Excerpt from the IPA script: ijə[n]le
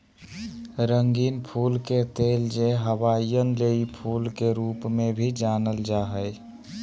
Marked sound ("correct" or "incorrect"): correct